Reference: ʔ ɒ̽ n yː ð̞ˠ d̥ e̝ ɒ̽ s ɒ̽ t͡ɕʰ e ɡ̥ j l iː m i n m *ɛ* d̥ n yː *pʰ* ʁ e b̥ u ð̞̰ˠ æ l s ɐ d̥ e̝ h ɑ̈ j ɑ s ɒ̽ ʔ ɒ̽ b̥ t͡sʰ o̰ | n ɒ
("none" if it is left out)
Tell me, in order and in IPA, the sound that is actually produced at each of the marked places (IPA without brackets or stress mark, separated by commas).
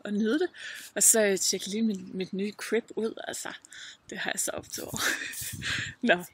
i, kʰ